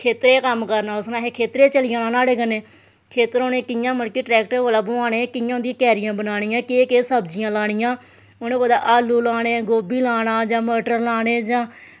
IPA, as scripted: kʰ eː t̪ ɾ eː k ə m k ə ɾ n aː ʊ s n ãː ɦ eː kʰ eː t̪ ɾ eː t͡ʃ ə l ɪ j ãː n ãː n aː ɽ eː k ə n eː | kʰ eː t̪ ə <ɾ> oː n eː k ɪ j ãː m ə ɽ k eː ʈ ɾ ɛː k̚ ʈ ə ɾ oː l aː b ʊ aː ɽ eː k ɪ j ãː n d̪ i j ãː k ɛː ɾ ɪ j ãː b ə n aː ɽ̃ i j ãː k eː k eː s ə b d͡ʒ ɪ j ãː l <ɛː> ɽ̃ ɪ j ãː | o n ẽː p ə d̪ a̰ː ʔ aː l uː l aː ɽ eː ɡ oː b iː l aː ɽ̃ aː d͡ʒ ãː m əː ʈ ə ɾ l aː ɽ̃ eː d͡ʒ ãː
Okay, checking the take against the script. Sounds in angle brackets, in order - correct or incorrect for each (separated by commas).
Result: correct, incorrect